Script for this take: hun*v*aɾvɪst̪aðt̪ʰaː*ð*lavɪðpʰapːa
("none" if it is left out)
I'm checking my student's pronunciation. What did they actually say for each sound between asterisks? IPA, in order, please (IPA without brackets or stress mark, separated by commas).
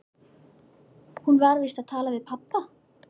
v, none